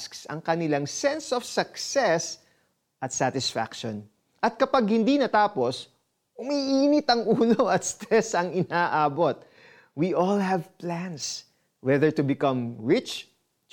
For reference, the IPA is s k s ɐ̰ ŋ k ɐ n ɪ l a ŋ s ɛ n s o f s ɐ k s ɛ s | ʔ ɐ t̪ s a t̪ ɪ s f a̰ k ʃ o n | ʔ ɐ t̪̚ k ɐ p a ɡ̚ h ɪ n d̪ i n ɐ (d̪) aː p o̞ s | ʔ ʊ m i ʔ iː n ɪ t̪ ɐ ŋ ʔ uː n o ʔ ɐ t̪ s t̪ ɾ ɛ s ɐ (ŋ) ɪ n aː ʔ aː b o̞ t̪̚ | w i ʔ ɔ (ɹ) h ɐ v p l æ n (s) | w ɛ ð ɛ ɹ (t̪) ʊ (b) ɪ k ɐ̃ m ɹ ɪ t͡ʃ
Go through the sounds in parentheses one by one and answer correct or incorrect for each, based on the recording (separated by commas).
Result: incorrect, correct, incorrect, correct, correct, correct